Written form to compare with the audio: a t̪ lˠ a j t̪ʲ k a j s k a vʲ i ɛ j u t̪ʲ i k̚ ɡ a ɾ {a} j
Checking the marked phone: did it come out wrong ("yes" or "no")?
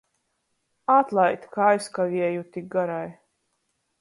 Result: no